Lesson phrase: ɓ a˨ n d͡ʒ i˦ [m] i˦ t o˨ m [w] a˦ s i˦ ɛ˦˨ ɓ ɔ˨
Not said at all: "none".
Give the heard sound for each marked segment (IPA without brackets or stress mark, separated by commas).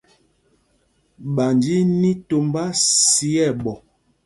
n, b